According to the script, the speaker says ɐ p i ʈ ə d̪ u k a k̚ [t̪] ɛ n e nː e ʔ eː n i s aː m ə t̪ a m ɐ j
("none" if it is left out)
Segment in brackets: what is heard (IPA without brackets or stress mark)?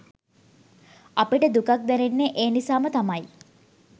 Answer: d̪